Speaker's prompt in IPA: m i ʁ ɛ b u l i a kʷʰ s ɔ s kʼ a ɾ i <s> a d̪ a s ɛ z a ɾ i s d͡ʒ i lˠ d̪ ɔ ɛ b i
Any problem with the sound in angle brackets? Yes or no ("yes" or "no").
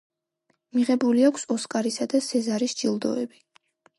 no